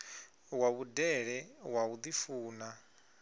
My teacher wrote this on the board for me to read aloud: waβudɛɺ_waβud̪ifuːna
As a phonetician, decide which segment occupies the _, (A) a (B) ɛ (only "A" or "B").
B